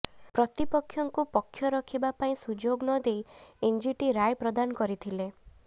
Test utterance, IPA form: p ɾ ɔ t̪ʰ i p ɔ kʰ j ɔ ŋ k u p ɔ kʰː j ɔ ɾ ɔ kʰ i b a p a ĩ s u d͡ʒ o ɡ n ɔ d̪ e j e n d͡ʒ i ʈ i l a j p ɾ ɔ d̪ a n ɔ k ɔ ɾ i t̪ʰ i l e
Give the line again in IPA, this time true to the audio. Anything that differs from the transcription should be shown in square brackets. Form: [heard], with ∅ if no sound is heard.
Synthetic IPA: p ɾ ɔ [t̪] i p ɔ kʰ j ɔ ŋ k u p ɔ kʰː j ɔ ɾ ɔ kʰ i b a p a ĩ s u d͡ʒ o ɡ n ɔ d̪ e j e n d͡ʒ i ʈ i [ɾ] a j p ɾ ɔ d̪ a n ɔ k ɔ ɾ i t̪ʰ i l e